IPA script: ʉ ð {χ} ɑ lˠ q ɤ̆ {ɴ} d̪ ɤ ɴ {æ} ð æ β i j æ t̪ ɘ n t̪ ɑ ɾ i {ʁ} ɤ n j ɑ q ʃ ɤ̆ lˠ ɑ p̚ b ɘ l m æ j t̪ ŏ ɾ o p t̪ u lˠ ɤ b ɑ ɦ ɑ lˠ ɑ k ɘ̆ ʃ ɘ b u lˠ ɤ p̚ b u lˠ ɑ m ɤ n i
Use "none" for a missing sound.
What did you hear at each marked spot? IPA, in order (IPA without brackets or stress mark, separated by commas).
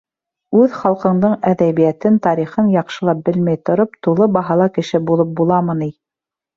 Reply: χ, ɴ, æ, χ